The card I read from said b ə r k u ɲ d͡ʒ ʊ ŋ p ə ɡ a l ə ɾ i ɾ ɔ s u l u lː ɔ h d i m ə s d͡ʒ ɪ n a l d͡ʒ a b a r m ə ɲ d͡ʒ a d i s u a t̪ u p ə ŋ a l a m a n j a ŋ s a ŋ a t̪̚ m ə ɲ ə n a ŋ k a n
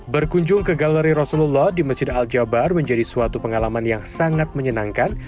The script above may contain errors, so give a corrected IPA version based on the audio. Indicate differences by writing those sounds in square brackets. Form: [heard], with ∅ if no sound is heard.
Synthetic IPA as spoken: b ə r k u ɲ d͡ʒ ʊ ŋ [k] ə ɡ a l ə ɾ i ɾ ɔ s u l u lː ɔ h d i m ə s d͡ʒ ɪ [d] a l d͡ʒ a b a r m ə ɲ d͡ʒ a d i s u a t̪ u p ə ŋ a l a m a n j a ŋ s a ŋ a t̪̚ m ə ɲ ə n a ŋ k a n